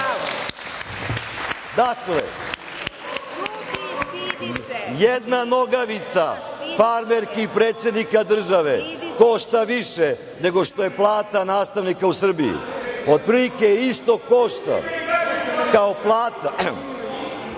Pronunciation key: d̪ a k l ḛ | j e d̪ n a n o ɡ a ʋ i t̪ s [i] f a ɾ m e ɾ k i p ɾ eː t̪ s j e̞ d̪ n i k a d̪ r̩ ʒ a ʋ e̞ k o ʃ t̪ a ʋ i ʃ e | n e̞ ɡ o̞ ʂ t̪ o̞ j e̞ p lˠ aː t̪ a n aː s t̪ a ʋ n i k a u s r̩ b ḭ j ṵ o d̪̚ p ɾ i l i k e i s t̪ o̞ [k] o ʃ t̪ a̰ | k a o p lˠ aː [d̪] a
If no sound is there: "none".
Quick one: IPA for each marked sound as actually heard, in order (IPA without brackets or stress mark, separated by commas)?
a, k, t̪